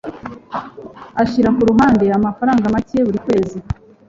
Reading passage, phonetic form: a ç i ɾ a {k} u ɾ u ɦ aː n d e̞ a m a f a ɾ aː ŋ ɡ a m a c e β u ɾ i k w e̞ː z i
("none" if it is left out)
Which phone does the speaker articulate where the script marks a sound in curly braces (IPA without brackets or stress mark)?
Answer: k